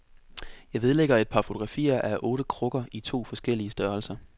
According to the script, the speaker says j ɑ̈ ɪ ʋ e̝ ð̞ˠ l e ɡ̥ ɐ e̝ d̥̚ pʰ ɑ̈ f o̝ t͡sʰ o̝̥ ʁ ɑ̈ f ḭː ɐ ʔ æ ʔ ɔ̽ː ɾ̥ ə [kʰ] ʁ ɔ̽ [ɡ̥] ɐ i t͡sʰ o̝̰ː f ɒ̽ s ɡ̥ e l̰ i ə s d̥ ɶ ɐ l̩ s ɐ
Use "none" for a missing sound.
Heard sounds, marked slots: kʰ, ɡ̥

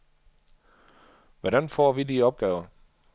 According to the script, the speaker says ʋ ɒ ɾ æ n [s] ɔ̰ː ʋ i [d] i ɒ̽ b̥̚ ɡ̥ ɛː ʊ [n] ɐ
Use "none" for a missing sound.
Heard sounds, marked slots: f, d, none

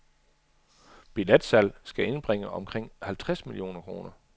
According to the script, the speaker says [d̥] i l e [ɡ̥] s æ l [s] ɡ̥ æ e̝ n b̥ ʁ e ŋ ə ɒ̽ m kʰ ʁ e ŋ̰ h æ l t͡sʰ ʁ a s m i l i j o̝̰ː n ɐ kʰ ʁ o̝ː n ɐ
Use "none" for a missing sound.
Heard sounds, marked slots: b̥, d̥, s

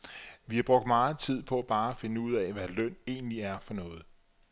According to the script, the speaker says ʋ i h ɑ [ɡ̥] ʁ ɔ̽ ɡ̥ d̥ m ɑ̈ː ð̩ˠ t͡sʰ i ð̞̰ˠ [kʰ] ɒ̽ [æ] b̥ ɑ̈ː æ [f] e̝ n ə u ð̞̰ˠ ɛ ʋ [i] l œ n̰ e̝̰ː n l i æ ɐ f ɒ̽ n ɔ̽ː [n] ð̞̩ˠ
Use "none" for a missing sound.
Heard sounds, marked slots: b̥, pʰ, æ, f, æ, none

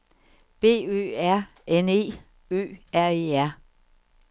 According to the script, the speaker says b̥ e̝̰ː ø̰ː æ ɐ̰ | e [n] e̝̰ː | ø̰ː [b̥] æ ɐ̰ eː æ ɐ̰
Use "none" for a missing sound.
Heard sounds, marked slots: n, none

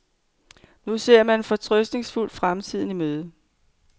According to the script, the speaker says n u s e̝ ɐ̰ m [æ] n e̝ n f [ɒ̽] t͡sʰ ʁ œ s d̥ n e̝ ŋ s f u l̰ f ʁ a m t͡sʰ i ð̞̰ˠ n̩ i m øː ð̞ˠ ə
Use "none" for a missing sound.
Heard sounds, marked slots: æ, ɒ̽

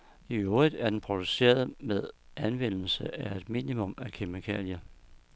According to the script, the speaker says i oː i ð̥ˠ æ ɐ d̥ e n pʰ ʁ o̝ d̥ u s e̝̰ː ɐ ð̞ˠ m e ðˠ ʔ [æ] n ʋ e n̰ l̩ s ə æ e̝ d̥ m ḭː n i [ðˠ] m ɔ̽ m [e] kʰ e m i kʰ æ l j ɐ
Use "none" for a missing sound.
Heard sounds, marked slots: æ, none, æ

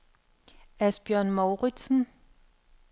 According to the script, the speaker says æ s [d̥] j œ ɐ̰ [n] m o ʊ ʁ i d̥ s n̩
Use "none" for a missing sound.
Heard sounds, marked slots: b̥, n

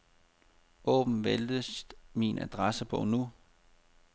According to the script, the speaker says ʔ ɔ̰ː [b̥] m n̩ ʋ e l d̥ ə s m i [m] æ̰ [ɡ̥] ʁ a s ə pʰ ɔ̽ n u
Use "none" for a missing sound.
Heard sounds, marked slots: b̥, n, d̥

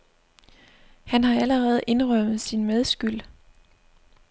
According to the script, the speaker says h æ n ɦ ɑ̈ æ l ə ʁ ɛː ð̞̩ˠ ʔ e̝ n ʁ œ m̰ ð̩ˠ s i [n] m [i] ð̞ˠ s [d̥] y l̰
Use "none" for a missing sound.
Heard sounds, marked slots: n, e, ɡ̥

